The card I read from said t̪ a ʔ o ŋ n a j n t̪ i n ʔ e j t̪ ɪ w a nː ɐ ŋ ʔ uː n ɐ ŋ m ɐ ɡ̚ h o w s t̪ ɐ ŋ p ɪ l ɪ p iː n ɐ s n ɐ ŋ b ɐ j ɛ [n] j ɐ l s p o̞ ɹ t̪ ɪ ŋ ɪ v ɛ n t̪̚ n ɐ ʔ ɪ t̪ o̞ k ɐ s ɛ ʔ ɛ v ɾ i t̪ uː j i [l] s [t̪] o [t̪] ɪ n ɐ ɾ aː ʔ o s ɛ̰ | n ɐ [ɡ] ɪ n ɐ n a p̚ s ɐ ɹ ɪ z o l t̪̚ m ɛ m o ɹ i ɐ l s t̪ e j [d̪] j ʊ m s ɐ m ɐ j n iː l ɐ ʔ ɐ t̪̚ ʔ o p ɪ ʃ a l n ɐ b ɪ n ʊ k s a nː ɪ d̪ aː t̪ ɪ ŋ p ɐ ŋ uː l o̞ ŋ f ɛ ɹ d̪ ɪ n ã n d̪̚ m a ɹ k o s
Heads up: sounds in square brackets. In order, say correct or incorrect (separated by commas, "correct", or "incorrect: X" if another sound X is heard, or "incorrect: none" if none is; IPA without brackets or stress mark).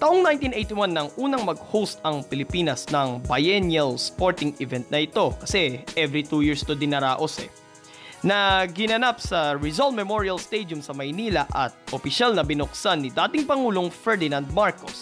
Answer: correct, incorrect: ɹ, correct, incorrect: d̪, correct, correct